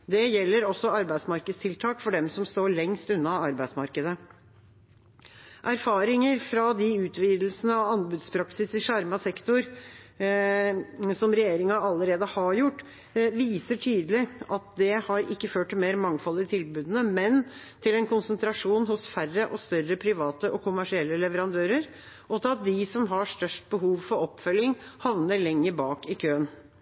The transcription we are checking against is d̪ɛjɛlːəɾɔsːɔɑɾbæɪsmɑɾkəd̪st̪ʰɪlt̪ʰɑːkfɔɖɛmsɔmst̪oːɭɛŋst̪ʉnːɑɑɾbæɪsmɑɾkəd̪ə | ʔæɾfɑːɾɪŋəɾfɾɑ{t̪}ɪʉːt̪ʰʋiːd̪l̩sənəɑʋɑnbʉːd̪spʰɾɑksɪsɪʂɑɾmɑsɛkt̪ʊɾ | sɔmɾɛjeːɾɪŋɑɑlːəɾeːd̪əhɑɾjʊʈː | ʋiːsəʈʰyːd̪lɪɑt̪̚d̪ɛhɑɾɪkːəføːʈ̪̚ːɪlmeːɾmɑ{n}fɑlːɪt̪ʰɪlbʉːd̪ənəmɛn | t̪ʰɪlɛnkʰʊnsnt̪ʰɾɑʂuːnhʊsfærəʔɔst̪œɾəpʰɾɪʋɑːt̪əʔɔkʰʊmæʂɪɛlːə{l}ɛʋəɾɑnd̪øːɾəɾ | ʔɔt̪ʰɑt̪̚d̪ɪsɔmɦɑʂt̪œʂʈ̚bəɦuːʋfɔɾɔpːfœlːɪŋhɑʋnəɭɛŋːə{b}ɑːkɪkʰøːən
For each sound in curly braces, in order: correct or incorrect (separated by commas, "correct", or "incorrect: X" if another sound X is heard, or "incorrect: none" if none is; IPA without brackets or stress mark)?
incorrect: d̪, incorrect: ŋ, correct, correct